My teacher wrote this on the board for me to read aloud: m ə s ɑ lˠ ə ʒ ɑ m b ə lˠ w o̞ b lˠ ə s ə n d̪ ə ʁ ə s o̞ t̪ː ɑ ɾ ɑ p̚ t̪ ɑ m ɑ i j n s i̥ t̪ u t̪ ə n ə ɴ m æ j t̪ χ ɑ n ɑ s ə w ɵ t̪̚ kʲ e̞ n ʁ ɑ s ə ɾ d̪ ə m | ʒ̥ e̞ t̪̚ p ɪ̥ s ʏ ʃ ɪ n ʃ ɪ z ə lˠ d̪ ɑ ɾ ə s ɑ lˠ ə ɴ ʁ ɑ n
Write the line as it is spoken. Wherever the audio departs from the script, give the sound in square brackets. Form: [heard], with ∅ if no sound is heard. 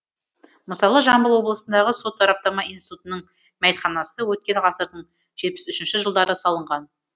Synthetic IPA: m ə s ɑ lˠ ə ʒ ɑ m b ə lˠ w o̞ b lˠ ə s ə n d̪ [ɑ] ʁ ə s o̞ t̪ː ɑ ɾ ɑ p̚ t̪ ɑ m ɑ i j n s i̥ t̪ u t̪ ə n ə ɴ m æ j t̪ χ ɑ n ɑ s ə w ɵ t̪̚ kʲ e̞ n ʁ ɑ s ə ɾ d̪ ə [ɴ] | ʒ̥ e̞ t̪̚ p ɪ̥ s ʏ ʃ ɪ n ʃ ɪ [ʒ] ə lˠ d̪ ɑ ɾ ə s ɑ lˠ ə ɴ ʁ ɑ n